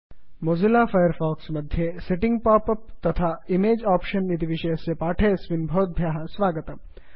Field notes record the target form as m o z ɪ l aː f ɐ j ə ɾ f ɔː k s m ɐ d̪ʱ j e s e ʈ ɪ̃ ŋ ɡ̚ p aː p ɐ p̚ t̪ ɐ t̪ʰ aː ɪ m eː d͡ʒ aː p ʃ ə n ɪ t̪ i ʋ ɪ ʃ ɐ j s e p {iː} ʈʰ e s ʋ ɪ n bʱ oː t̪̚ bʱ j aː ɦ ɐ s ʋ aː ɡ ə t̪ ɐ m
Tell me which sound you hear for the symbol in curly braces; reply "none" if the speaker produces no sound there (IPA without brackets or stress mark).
aː